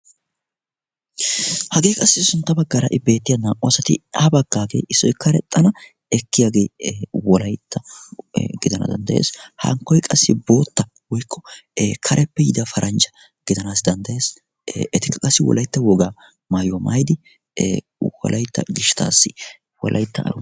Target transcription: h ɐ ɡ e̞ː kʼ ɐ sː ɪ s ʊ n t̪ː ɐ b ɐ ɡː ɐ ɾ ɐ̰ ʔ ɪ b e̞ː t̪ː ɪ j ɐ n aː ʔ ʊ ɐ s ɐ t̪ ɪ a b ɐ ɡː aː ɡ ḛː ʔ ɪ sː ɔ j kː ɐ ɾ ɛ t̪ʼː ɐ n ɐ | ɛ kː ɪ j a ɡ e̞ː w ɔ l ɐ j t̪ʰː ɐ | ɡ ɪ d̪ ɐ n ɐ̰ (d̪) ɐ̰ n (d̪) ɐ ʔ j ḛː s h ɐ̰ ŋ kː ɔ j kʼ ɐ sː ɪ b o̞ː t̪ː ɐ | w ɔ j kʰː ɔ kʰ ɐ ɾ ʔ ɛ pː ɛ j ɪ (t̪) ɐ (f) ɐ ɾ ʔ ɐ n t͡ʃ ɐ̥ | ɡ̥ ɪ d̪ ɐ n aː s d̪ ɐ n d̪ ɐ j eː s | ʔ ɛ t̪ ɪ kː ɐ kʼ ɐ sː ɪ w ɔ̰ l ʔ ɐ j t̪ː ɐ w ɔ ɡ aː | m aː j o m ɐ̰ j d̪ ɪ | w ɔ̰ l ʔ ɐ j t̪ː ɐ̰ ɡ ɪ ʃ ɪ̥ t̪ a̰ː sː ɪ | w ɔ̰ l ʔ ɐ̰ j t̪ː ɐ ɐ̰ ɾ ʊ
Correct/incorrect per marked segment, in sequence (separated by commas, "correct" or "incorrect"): correct, correct, incorrect, correct